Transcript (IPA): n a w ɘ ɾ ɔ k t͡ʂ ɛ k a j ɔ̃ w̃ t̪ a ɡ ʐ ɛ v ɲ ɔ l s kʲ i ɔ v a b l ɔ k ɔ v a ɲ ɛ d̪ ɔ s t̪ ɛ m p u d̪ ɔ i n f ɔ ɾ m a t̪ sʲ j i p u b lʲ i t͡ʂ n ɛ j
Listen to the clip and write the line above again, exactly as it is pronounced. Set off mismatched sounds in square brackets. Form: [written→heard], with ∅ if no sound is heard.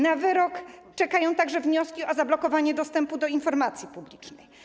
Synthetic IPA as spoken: n a [w→v] ɘ ɾ ɔ k t͡ʂ ɛ k a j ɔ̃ w̃ t̪ a ɡ ʐ ɛ v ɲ ɔ [l→∅] s kʲ i ɔ [v→z] a b l ɔ k ɔ v a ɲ ɛ d̪ ɔ s t̪ ɛ m p u d̪ ɔ i n f ɔ ɾ m a t̪ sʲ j i p u b lʲ i t͡ʂ n ɛ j